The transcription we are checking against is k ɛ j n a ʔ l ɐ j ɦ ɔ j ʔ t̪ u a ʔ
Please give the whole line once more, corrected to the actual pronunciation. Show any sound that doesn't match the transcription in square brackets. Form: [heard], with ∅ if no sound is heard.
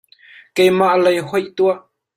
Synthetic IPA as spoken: k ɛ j [m] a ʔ l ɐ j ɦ ɔ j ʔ t̪ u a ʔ